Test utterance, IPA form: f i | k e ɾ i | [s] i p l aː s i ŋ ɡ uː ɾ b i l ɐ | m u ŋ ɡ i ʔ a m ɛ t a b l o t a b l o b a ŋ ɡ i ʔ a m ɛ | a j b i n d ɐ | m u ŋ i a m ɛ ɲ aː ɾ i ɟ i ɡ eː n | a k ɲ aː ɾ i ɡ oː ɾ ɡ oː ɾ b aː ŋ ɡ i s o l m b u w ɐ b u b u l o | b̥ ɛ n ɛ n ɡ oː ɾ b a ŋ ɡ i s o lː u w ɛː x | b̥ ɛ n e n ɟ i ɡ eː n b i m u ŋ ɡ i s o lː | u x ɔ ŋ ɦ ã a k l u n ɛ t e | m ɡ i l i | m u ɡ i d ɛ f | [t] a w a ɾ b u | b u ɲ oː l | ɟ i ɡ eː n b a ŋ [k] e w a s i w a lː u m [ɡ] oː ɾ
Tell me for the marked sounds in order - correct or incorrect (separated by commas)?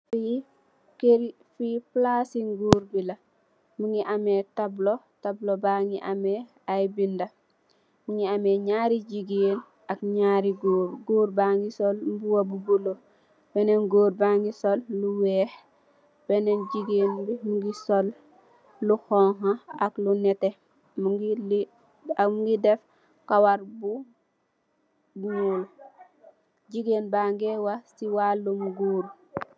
incorrect, incorrect, incorrect, correct